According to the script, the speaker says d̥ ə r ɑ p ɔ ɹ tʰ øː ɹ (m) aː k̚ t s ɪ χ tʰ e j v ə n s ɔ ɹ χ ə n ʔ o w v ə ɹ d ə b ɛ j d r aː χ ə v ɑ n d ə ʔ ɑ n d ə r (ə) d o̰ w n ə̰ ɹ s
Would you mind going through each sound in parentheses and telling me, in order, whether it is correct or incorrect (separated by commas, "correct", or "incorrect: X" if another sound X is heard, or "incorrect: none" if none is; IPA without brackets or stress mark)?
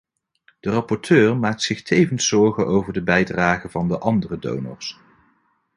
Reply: correct, correct